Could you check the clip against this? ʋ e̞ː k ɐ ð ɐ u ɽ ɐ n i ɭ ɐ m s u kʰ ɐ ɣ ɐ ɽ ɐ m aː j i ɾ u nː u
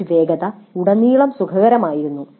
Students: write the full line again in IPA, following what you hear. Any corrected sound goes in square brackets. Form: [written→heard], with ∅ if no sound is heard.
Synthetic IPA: ʋ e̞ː [k→ɡ] ɐ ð ɐ u ɽ ɐ n [i→iː] ɭ ɐ m s u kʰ ɐ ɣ ɐ [ɽ→ɾ] ɐ m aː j i ɾ u nː u